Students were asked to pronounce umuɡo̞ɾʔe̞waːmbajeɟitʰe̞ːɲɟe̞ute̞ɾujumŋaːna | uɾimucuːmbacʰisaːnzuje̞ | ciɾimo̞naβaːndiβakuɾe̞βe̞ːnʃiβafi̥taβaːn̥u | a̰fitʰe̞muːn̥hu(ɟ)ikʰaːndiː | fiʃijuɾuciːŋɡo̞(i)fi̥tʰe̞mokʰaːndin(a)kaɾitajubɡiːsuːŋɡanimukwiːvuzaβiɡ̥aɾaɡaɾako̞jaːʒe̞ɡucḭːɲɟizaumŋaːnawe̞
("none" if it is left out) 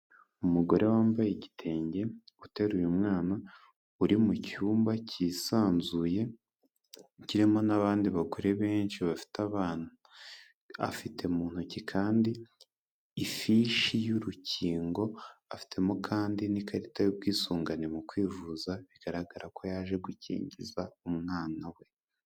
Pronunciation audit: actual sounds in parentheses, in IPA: c, a, i

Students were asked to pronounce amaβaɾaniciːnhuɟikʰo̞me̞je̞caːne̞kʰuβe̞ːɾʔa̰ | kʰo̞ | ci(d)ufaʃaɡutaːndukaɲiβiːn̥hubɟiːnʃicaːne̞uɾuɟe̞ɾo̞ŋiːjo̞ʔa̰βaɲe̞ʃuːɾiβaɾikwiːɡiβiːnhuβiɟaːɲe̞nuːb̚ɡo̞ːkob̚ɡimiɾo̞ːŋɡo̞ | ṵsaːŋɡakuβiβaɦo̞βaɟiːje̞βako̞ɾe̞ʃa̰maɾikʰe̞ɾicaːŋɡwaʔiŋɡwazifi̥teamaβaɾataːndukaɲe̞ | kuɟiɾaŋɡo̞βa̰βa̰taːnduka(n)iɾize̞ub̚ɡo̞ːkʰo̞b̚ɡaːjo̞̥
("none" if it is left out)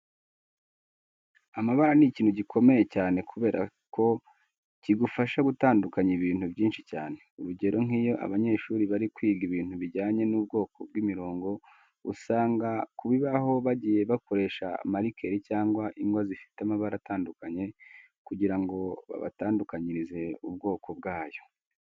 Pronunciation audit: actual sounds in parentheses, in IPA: ɡ, ɲ

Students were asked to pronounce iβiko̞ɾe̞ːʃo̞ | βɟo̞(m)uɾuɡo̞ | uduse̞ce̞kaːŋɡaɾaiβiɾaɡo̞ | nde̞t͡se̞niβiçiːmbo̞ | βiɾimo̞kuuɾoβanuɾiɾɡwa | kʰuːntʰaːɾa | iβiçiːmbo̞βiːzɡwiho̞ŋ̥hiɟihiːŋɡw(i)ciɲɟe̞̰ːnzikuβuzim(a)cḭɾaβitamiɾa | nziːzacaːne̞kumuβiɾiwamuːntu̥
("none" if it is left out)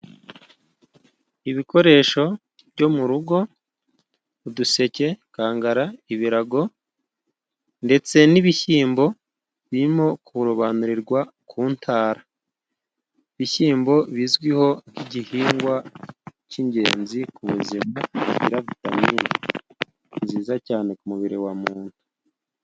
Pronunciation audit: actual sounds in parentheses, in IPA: m, a, a

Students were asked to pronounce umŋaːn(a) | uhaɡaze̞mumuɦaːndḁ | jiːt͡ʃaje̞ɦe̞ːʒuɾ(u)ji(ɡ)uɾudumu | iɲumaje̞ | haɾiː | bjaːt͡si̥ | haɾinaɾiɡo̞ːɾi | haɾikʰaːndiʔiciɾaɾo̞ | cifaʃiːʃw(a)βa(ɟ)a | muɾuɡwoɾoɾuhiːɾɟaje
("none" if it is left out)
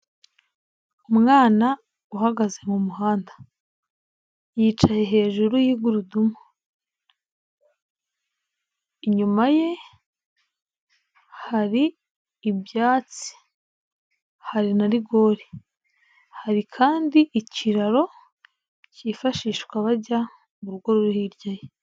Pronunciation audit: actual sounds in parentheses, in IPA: a, u, ɡ, a, ɟ

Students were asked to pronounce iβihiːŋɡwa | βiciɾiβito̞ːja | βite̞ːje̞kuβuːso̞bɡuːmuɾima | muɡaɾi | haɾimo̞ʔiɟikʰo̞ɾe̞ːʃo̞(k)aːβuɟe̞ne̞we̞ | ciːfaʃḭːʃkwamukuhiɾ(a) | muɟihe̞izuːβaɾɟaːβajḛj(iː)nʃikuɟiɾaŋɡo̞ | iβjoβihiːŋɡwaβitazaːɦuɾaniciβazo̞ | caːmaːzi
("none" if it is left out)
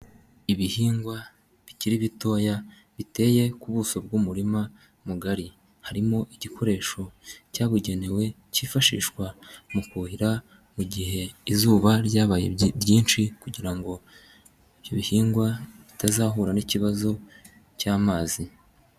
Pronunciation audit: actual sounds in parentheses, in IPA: c, a, iː

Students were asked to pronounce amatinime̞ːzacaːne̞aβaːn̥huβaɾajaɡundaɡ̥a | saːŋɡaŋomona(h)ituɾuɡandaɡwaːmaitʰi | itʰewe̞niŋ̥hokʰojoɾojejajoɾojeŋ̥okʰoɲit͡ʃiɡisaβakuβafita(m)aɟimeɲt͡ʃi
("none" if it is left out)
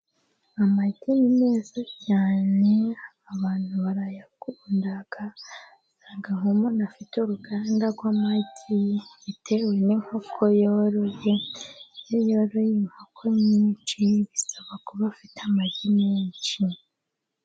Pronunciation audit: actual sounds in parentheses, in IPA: f, m

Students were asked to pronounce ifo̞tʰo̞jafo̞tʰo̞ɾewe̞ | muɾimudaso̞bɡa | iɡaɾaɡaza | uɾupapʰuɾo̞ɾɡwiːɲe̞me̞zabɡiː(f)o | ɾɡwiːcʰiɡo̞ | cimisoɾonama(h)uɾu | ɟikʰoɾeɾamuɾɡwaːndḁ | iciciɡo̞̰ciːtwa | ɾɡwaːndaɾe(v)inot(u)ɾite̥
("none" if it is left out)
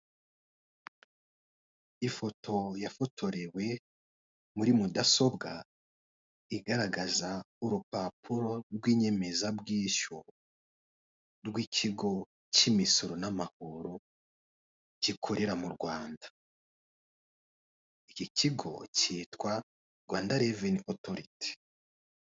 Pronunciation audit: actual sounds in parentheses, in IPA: ʃ, h, v, o

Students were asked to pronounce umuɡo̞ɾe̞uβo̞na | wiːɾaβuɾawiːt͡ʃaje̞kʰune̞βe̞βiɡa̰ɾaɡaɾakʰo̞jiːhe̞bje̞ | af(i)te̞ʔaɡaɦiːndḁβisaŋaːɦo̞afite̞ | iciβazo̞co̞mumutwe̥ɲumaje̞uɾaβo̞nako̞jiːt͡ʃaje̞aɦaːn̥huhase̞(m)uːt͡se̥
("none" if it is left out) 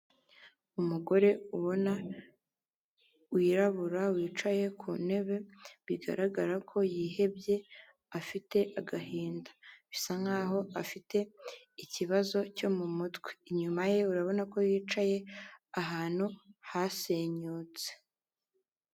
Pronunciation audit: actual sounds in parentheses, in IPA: i, ɲ

